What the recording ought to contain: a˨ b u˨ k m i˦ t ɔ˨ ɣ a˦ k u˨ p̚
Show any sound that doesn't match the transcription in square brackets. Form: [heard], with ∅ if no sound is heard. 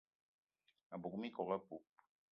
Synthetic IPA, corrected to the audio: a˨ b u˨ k m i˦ [k] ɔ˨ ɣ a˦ [p] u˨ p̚